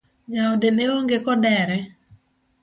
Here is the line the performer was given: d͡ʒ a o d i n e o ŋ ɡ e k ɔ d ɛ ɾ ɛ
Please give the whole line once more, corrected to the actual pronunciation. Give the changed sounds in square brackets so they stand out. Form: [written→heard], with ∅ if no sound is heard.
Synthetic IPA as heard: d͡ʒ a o d [i→e] n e o ŋ ɡ e k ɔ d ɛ ɾ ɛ